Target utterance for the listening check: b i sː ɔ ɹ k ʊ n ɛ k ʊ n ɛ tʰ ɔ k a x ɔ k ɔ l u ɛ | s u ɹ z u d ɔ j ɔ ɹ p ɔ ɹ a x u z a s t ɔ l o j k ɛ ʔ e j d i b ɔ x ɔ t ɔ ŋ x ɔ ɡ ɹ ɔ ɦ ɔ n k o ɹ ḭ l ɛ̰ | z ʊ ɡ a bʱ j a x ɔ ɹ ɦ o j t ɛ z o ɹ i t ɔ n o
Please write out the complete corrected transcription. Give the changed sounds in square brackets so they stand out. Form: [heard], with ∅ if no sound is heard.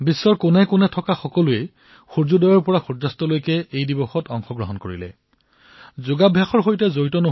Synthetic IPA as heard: b i sː ɔ ɹ k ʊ n ɛ k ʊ n ɛ tʰ ɔ k a x ɔ k ɔ l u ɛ | [x] u ɹ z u d ɔ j ɔ ɹ p ɔ ɹ a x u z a s t ɔ l o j k ɛ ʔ e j d i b ɔ x ɔ t ɔ ŋ x ɔ ɡ ɹ ɔ ɦ ɔ n k o ɹ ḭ l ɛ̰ | z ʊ ɡ a bʱ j a x ɔ ɹ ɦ o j t ɛ z o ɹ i t ɔ n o